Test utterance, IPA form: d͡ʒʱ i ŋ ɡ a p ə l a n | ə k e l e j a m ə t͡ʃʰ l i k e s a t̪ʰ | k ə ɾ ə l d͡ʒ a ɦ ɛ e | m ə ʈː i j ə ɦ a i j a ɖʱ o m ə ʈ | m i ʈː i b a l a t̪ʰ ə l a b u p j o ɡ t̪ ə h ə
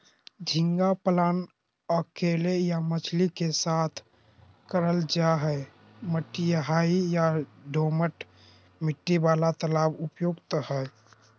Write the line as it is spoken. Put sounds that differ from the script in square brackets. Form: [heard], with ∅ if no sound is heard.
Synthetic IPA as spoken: d͡ʒʱ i ŋ ɡ a p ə l a n | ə k e l e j a m ə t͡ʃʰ l i k e s a t̪ʰ | k ə ɾ ə l d͡ʒ a ɦ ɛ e | m ə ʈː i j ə ɦ a i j a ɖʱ o m ə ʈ | m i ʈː i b a l a [t̪] ə l a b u p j o ɡ t̪ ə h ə